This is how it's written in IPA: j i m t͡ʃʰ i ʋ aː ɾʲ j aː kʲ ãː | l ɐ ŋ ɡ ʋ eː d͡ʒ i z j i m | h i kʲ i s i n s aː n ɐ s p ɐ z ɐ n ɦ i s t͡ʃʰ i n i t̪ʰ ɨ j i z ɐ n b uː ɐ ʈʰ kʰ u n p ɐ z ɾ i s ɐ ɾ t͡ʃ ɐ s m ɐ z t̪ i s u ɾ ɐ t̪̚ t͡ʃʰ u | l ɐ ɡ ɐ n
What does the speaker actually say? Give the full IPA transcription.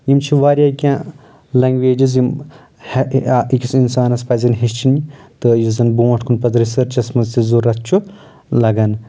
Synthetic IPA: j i m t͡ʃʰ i ʋ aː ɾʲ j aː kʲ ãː | l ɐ ŋ ɡ ʋ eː d͡ʒ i z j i m | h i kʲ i s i n s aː n ɐ s p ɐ z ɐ n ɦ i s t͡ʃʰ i n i t̪ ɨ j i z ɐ n b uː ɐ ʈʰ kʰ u n p ɐ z ɾ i s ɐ ɾ t͡ʃ ɐ s m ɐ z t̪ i z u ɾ ɐ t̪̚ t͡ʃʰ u | l ɐ ɡ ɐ n

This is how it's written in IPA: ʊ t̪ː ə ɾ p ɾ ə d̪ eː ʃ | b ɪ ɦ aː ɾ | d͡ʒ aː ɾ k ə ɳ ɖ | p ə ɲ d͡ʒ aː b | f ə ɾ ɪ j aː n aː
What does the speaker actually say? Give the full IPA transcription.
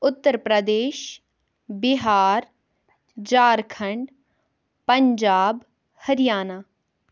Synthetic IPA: ʊ t̪ː ə ɾ p ɾ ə d̪ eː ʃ | b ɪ ɦ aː ɾ | d͡ʒ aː ɾ kʰ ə ɳ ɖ | p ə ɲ d͡ʒ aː b | h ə ɾ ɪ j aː n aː

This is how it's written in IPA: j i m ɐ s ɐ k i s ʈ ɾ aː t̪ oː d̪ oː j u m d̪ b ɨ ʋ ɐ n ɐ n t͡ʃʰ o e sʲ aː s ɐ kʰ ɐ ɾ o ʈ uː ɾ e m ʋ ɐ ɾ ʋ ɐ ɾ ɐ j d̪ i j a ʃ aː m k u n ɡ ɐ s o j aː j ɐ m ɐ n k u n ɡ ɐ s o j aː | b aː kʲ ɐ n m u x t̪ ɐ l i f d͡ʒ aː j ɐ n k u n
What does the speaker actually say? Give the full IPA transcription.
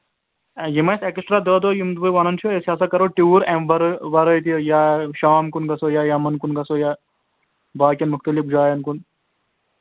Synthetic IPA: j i m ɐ s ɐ k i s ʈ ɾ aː d̪ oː d̪ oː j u m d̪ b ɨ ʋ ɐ n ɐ n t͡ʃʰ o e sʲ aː s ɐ k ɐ ɾ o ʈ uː ɾ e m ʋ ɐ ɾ ʋ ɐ ɾ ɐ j t̪ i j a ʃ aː m k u n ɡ ɐ s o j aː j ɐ m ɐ n k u n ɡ ɐ s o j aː | b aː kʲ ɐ n m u x t̪ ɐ l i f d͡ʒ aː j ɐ n k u n

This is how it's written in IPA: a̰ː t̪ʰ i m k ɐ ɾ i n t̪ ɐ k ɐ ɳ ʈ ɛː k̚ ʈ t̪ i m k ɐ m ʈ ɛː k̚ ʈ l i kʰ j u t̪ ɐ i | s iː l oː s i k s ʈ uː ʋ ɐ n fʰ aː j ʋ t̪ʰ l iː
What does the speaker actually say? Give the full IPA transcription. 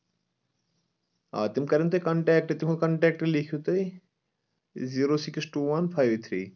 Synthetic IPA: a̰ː t̪ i m k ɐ ɾ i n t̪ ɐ k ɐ ɳ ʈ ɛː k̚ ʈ t̪ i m k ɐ ɳ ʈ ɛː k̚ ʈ l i kʰ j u t̪ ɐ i | z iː ɾ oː s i k s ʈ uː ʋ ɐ n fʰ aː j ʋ t̪ʰ ɾ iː

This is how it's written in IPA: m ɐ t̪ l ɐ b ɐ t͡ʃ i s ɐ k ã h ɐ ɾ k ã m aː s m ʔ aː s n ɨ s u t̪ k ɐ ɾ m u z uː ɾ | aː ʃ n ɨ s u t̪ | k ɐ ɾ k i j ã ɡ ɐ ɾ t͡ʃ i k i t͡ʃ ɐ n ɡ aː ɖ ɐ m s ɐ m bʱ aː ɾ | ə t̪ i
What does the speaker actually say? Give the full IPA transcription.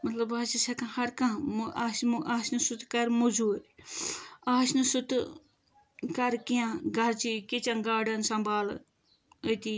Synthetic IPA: m ɐ t̪ l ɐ b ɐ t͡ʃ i s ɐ k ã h ɐ ɾ k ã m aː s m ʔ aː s n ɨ s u t̪ k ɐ ɾ m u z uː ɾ | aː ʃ n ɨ s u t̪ | k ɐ ɾ k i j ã ɡ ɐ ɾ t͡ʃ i k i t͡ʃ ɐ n ɡ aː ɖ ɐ n s ɐ m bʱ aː l | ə t̪ i

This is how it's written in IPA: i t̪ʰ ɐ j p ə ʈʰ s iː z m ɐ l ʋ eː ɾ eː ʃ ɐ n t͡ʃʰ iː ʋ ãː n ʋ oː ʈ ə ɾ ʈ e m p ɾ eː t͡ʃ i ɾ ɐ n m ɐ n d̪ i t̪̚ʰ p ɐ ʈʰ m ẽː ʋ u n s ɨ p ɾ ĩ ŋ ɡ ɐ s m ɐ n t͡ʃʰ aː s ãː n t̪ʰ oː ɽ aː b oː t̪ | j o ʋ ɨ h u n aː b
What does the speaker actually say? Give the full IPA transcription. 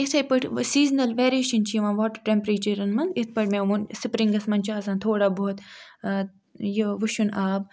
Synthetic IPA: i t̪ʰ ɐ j p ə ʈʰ s iː z n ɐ l ʋ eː ɾ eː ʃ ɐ n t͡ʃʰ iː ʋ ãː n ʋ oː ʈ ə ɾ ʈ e m p ɾ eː t͡ʃ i ɾ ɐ n m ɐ n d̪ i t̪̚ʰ p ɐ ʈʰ m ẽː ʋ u n s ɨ p ɾ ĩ ŋ ɡ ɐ s m ɐ n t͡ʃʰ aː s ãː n t̪ʰ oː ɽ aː b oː t̪ | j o ʋ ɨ ʃ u n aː b

